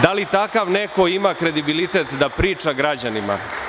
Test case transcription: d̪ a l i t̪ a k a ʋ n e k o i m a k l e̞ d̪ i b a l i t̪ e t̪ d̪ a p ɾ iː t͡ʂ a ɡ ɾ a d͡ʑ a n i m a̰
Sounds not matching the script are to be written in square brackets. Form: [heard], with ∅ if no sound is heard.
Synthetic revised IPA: d̪ a l i t̪ a k a ʋ n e k o i m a k [ɾ] e̞ d̪ i b [i] l i t̪ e t̪ d̪ a p ɾ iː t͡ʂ a ɡ ɾ a d͡ʑ a n i m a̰